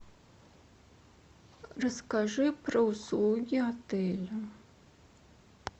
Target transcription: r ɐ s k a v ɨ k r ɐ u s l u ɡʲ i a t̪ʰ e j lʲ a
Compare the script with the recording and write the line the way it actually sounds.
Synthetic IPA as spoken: r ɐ s k a ʐ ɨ p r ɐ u s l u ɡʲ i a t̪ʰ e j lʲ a